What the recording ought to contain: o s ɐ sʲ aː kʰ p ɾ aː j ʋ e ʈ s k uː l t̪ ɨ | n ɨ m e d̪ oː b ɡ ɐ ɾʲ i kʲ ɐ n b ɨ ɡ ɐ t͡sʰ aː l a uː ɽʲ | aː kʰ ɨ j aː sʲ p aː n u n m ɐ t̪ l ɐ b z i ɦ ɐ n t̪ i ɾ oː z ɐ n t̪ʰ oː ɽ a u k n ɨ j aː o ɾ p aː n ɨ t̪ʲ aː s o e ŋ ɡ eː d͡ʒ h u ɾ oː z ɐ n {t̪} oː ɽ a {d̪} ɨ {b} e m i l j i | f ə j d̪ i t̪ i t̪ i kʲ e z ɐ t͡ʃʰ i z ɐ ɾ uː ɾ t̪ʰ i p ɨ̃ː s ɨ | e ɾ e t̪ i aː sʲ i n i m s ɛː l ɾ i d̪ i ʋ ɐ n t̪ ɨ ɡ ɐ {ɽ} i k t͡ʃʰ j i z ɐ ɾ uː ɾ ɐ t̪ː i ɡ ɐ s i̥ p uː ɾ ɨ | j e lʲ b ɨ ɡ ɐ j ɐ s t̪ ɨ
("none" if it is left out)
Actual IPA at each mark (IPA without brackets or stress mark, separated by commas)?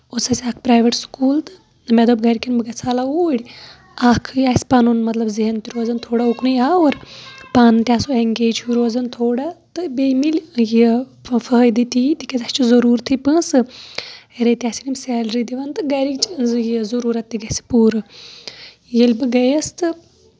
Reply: t̪ʰ, t̪, b, ɾ